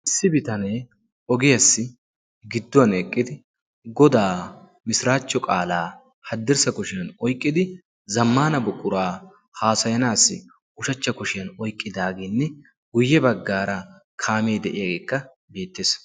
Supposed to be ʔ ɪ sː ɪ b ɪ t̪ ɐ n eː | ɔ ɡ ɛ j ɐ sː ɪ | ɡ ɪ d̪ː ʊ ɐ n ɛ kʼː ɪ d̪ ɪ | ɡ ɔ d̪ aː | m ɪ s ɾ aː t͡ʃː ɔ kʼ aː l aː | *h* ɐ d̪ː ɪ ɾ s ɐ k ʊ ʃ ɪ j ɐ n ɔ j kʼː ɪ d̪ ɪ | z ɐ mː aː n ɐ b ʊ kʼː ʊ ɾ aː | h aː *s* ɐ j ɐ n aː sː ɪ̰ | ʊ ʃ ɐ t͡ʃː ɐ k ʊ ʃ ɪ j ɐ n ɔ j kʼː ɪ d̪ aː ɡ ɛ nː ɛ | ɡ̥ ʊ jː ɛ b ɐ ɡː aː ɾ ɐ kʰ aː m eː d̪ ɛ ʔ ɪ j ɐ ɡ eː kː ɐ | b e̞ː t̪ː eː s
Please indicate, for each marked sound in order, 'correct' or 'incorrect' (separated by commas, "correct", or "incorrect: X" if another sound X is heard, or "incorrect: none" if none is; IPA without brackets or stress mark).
correct, correct